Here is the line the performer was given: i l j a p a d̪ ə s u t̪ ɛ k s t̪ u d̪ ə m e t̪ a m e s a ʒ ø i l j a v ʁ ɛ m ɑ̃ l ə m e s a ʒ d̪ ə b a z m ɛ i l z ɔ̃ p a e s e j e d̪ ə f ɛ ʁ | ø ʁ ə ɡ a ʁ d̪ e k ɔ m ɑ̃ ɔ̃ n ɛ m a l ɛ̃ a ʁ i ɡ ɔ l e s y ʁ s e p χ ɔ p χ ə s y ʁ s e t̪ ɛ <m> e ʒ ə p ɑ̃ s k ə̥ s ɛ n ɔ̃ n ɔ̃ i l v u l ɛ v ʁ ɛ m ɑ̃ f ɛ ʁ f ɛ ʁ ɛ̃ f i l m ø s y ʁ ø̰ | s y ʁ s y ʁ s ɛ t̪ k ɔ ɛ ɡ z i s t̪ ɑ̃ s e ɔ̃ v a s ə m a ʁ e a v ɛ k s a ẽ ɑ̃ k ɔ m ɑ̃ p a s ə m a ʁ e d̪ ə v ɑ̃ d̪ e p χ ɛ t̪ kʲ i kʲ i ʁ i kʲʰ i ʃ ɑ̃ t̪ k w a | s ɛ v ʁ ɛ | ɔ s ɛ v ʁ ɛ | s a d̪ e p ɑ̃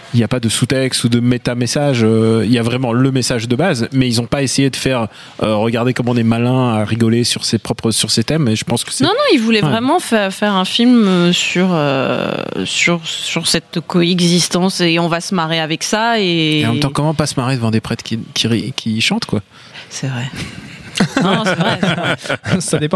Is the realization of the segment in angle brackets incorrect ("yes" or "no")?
no